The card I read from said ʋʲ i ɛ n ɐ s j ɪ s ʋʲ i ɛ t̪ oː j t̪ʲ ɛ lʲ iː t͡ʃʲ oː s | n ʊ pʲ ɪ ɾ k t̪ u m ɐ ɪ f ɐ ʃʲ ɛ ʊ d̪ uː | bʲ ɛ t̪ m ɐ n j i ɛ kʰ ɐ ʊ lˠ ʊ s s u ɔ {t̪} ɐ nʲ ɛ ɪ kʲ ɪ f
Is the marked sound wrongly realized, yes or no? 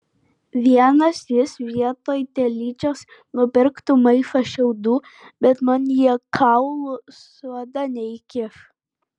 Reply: yes